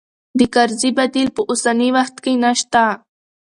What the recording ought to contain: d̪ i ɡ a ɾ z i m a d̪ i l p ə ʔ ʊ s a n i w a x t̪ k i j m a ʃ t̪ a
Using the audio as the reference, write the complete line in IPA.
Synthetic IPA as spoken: d̪ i k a ɾ z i b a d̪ i l p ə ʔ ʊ s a n i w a x t̪ k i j n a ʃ t̪ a